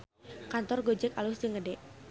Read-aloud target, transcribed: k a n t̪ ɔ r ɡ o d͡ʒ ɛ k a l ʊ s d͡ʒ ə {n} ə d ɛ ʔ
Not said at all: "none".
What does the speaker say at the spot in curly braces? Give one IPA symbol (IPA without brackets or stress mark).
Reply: ŋ